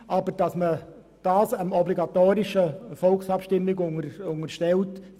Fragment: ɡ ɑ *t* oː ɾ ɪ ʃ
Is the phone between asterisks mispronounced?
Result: no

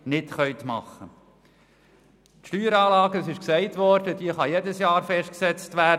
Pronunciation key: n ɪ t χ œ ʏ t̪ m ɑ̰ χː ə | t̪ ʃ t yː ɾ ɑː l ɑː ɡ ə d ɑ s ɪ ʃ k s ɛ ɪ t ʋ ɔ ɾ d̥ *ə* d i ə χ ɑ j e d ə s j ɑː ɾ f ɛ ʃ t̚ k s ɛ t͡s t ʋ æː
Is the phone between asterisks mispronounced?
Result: no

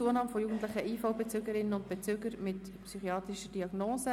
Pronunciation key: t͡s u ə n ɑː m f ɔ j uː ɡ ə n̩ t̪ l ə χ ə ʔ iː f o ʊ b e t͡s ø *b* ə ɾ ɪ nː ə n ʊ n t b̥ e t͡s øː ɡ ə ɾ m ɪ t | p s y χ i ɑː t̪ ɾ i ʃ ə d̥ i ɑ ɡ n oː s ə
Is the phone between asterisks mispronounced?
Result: yes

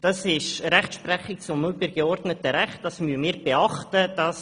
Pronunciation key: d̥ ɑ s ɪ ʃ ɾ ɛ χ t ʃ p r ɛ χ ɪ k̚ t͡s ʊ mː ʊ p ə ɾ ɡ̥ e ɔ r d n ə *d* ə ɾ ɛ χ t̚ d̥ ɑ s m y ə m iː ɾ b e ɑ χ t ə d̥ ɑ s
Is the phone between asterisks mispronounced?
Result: yes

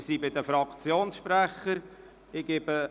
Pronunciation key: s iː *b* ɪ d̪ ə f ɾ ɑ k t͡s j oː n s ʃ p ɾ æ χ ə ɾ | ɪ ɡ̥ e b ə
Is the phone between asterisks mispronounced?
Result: no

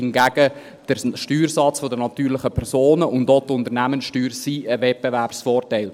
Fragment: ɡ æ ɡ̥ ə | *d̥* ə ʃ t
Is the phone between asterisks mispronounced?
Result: no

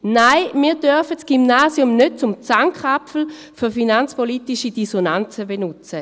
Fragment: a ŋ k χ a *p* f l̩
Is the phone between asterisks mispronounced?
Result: no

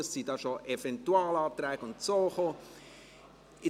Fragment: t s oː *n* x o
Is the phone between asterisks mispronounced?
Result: yes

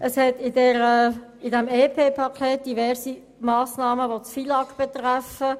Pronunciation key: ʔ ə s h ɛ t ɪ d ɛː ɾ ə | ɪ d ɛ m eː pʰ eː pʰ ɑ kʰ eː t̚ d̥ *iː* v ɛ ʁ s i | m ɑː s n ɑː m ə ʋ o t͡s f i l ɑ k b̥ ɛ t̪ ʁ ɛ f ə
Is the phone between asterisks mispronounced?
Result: yes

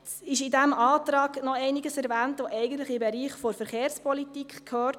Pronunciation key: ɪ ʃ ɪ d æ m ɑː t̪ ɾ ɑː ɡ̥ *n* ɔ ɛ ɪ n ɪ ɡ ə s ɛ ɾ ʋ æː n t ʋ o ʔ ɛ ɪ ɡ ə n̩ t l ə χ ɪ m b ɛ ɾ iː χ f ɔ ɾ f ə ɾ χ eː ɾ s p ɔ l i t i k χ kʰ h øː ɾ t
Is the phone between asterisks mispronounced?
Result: no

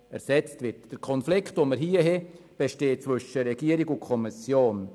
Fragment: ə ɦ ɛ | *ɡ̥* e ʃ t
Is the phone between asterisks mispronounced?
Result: yes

